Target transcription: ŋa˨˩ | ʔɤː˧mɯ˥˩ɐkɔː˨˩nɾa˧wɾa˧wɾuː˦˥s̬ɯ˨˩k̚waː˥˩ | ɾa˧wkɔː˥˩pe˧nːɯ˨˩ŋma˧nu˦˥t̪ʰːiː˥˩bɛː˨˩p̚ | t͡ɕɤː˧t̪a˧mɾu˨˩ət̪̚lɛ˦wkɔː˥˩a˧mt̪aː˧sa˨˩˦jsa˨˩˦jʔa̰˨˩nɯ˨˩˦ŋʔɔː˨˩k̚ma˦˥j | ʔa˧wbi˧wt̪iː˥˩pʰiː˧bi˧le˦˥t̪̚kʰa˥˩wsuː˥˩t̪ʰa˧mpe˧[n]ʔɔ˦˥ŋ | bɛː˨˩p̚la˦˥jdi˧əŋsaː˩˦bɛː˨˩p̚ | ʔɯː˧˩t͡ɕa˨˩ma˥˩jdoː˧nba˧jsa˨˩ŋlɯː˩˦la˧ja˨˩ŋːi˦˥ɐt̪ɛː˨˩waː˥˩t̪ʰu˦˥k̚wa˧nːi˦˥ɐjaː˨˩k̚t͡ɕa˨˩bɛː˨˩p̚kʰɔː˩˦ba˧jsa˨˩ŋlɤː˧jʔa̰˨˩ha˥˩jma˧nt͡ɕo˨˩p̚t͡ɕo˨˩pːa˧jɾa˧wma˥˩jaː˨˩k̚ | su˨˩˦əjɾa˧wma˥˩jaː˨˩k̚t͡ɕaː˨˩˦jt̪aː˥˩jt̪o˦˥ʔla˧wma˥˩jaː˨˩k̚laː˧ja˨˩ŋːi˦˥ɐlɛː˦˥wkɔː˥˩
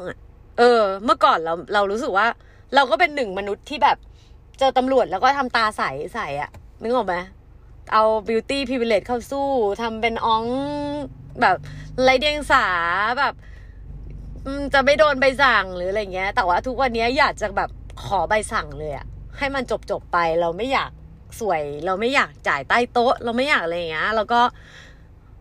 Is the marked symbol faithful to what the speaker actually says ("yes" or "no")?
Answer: yes